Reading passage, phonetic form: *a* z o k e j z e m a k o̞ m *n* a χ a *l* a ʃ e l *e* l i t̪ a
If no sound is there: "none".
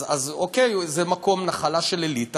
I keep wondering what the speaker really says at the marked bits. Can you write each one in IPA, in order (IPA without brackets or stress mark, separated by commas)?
a, n, l, e